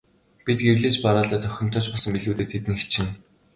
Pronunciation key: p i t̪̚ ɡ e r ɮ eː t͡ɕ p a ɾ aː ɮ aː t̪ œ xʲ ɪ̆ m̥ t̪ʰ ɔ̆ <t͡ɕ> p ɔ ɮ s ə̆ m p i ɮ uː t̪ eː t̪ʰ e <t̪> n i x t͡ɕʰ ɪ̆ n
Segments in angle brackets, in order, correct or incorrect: correct, correct

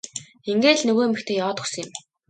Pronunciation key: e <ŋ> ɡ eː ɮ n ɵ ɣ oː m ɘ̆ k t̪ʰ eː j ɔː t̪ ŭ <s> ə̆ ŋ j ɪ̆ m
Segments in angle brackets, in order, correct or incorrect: correct, correct

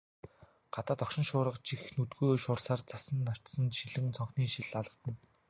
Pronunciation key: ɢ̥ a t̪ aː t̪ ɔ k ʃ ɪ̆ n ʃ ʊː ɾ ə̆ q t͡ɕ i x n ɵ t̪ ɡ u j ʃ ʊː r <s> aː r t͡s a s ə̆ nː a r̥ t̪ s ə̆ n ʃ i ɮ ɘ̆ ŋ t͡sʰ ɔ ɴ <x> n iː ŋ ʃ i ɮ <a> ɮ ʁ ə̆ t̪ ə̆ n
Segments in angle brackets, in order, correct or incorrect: correct, incorrect: χ, correct

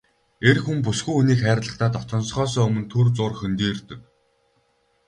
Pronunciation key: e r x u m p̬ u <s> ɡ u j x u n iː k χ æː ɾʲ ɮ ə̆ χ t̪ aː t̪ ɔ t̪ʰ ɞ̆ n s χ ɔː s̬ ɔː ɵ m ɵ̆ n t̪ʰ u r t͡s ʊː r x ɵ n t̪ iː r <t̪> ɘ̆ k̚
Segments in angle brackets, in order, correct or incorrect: correct, correct

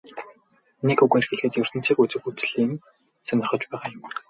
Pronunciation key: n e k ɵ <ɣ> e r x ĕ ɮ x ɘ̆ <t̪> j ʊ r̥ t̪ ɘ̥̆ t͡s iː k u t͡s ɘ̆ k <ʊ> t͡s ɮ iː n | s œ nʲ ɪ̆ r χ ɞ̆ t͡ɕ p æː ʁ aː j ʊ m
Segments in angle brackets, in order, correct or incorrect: correct, correct, incorrect: u

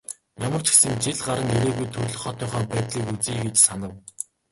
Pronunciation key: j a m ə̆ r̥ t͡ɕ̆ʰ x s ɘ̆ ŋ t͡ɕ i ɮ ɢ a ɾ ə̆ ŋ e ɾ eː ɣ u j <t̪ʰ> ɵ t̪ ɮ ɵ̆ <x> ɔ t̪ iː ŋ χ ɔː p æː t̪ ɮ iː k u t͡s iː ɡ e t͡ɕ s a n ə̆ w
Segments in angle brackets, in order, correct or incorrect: correct, incorrect: χ

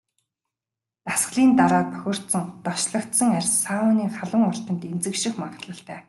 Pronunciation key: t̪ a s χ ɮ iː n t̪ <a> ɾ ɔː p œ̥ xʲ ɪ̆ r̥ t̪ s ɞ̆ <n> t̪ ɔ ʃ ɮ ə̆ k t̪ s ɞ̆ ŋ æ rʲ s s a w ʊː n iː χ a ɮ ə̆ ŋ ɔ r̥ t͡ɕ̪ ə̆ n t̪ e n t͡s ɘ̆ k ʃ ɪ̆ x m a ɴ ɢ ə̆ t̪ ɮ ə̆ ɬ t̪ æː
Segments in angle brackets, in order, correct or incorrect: correct, incorrect: ŋ

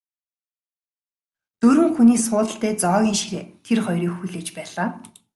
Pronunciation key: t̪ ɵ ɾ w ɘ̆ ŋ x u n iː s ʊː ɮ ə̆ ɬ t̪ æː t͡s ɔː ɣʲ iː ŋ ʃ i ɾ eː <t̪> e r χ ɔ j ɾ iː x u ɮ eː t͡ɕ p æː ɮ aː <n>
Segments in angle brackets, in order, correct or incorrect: incorrect: t̪ʰ, incorrect: none

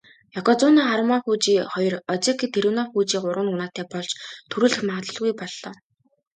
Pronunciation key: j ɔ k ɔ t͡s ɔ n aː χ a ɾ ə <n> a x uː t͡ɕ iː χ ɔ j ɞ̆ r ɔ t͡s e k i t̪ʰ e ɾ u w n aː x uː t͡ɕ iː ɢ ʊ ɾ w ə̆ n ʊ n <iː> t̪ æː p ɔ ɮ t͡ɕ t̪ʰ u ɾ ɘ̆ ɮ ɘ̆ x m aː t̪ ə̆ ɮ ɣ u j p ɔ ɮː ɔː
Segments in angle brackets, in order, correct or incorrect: incorrect: m, incorrect: aː

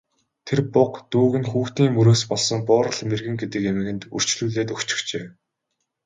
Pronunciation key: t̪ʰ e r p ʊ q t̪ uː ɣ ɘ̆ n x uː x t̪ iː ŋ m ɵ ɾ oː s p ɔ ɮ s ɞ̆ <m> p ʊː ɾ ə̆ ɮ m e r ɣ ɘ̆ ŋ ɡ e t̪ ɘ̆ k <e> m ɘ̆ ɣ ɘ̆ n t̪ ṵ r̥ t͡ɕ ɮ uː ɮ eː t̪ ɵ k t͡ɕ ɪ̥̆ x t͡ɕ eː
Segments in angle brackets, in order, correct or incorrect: incorrect: ŋ, correct

